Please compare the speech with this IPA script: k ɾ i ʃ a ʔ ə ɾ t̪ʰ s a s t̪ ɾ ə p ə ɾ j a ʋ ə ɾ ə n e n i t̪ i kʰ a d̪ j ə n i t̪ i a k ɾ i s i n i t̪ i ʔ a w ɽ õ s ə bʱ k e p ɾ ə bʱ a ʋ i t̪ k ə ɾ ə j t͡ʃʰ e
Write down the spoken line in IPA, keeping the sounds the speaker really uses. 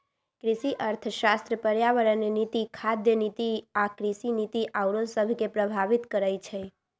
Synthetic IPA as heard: k ɾ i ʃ i ʔ ə ɾ t̪ʰ ʃ a s t̪ ɾ ə p ə ɾ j a ʋ ə ɾ ə n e n i t̪ i kʰ a d̪ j ə n i t̪ i a k ɾ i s i n i t̪ i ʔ a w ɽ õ s ə bʱ k e p ɾ ə bʱ a ʋ i t̪ k ə ɾ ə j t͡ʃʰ e